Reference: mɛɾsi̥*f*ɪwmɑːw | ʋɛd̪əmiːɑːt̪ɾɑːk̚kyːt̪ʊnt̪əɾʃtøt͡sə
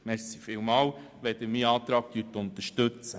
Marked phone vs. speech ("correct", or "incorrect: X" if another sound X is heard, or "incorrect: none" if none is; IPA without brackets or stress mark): correct